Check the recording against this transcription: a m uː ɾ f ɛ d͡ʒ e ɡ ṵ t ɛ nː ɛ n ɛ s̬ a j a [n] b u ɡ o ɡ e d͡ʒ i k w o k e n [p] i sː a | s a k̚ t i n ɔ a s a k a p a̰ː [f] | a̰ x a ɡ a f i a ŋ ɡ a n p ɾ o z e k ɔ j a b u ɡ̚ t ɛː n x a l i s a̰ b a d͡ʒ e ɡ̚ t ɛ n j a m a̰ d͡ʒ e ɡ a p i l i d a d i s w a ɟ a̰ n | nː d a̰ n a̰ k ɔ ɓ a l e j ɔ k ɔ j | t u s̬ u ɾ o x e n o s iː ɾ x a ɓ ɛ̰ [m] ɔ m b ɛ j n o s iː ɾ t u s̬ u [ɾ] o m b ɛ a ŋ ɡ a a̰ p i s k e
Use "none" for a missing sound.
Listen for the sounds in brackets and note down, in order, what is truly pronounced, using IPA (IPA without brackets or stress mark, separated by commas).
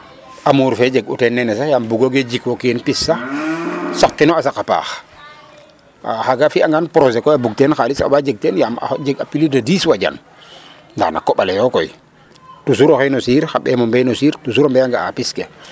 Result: m, p, x, m, ɾ